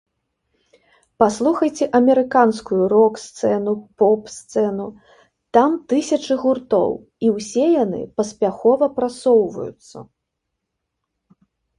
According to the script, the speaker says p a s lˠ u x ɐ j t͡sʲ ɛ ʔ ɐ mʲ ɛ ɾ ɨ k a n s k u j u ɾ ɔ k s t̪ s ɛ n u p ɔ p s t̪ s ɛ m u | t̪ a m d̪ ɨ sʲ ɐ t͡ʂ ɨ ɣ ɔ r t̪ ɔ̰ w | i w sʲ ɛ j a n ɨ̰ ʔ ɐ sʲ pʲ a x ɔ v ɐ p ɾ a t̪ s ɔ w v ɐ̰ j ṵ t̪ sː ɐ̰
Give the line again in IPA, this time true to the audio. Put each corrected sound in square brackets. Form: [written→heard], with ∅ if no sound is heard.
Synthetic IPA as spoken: p a s lˠ u x ɐ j t͡sʲ ɛ ʔ ɐ mʲ ɛ ɾ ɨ k a n s k u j u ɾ ɔ k s t̪ s ɛ n u p ɔ p s t̪ s ɛ [m→n] u | t̪ a m [d̪→t̪] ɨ sʲ ɐ t͡ʂ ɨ ɣ [ɔ→u] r t̪ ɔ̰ w | i w sʲ ɛ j a n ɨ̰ [ʔ→p] ɐ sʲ pʲ a x ɔ v ɐ p ɾ a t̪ s ɔ w v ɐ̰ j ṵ t̪ sː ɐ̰